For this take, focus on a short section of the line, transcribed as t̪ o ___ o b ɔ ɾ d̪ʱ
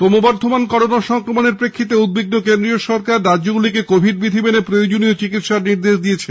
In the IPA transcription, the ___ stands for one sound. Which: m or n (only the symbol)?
m